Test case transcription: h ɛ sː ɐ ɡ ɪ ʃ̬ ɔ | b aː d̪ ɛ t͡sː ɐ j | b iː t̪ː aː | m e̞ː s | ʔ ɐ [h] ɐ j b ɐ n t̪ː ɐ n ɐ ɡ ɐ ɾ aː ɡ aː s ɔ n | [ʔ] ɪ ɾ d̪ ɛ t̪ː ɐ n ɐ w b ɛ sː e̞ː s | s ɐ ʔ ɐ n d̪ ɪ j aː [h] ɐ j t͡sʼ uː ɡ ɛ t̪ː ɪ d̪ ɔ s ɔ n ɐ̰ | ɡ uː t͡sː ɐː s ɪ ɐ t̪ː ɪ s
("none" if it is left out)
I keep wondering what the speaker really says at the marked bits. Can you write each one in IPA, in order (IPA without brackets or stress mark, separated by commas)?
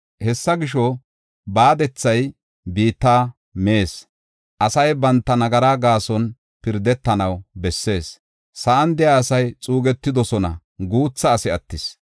s, p, s